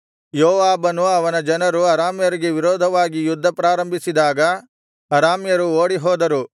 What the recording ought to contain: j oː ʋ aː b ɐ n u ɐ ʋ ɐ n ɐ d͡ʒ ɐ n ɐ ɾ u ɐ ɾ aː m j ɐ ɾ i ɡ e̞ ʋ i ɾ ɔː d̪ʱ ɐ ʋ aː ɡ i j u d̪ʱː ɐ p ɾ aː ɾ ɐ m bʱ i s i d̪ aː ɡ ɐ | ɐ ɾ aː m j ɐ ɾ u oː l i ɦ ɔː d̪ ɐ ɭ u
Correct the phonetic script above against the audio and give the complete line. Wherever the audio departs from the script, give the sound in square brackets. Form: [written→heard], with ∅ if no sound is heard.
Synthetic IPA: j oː ʋ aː b ɐ n u ɐ ʋ ɐ n ɐ d͡ʒ ɐ n ɐ ɾ u ɐ ɾ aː m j ɐ ɾ i ɡ e̞ ʋ i ɾ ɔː d̪ʱ ɐ ʋ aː ɡ i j u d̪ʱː ɐ p ɾ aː ɾ ɐ m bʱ i s i d̪ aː ɡ ɐ | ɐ ɾ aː m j ɐ ɾ u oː [l→ɽ] i ɦ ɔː d̪ ɐ [ɭ→ɾ] u

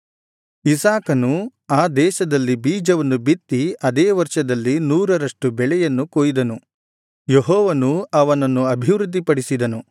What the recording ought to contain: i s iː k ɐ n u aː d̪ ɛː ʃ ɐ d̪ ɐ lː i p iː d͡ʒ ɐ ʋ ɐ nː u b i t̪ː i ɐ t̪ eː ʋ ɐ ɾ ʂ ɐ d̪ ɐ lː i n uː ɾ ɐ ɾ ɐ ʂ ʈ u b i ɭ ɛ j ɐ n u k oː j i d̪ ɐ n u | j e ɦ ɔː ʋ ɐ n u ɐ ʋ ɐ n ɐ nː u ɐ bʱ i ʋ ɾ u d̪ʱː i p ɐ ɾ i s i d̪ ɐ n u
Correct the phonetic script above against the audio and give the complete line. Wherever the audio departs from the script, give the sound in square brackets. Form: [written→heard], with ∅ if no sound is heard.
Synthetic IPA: i s [iː→aː] k ɐ n u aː d̪ ɛː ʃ ɐ d̪ ɐ lː i [p→b] iː d͡ʒ ɐ ʋ ɐ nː u b i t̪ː i ɐ [t̪→d̪] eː ʋ ɐ ɾ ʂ ɐ d̪ ɐ lː i n uː ɾ ɐ ɾ ɐ ʂ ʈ u b [i→ɛ] ɭ ɛ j ɐ [n→nː] u k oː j i d̪ ɐ n u | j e ɦ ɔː ʋ ɐ n u ɐ ʋ ɐ n ɐ nː u ɐ bʱ i ʋ ɾ u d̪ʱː i p ɐ [ɾ→ɽ] i s i d̪ ɐ n u

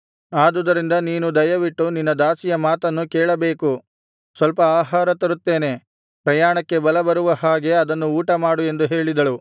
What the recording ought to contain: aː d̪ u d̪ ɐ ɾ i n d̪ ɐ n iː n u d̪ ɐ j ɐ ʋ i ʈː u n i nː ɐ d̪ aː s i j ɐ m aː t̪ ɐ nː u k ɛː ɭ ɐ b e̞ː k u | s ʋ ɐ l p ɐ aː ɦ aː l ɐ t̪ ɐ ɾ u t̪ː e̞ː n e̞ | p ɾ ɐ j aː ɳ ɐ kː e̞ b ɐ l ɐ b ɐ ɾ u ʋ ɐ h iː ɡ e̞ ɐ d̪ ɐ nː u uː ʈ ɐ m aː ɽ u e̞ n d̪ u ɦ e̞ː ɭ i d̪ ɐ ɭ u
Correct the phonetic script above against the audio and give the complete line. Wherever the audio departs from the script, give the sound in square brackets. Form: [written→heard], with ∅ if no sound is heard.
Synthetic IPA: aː d̪ u d̪ ɐ ɾ i n d̪ ɐ n iː n u d̪ ɐ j ɐ ʋ i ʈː u n i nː ɐ d̪ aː s i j ɐ m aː t̪ ɐ nː u k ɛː ɭ ɐ b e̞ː k u | s ʋ ɐ l p ɐ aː ɦ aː [l→ɾ] ɐ t̪ ɐ ɾ u t̪ː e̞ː n e̞ | p ɾ ɐ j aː ɳ ɐ kː e̞ b ɐ l ɐ b ɐ ɾ u ʋ ɐ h [iː→aː] ɡ e̞ ɐ d̪ ɐ nː u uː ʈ ɐ m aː ɽ u e̞ n d̪ u ɦ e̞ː ɭ i d̪ ɐ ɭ u

